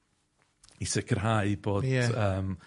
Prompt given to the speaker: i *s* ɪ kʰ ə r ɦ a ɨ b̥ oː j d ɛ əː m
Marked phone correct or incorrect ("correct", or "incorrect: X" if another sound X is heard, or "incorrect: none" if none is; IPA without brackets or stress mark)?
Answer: correct